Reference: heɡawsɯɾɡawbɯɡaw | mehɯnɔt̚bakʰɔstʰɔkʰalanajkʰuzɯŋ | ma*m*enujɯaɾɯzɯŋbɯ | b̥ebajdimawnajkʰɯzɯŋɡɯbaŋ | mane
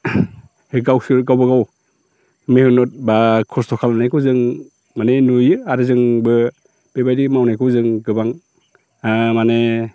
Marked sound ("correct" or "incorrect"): incorrect